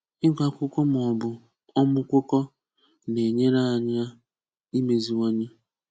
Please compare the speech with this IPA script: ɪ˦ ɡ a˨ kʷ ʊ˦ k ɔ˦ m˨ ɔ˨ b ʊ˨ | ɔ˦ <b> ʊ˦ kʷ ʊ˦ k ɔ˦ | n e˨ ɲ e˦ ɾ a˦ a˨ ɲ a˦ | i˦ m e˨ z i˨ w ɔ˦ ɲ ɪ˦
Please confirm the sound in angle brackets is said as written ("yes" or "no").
no